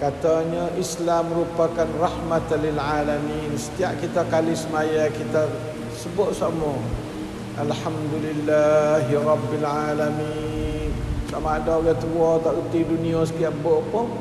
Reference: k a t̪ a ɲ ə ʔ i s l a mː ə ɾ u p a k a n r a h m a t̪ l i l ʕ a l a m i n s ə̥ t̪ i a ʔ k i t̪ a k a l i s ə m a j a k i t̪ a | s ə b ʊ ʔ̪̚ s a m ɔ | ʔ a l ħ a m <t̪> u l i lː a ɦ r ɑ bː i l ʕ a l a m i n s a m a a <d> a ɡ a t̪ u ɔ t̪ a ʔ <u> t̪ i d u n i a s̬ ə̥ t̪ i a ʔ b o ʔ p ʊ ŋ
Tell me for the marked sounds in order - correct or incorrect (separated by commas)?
incorrect, correct, correct